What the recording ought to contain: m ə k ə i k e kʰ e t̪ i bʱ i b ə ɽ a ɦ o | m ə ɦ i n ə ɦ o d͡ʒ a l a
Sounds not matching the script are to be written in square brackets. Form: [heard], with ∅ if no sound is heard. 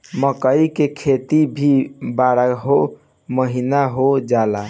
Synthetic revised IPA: m ə k ə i k e kʰ e t̪ i bʱ i b [a] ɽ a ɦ o | m ə ɦ i n [a] ɦ o d͡ʒ a l a